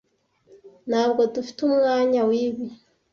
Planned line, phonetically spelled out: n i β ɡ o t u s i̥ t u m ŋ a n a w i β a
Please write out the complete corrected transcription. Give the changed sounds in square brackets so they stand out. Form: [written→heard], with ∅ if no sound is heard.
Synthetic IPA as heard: n [i→a] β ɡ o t u [s→f] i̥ t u m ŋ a [n→ɲ] a w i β [a→i]